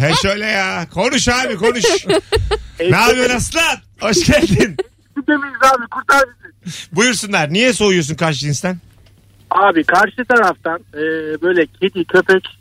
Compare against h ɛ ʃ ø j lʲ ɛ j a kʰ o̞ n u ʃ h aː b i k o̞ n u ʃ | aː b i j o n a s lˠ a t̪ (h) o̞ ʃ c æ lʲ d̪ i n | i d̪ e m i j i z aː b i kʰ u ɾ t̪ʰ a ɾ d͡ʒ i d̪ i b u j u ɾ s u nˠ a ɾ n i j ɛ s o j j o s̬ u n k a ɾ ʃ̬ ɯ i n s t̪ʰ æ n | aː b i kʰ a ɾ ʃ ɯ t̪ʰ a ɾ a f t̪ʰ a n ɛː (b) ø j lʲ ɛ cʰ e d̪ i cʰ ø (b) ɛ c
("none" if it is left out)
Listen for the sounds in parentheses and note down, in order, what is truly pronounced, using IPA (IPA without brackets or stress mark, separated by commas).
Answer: h, b, p